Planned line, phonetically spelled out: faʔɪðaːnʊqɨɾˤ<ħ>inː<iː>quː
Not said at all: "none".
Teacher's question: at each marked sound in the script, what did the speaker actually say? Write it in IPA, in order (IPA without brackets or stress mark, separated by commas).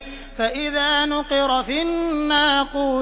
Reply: f, aː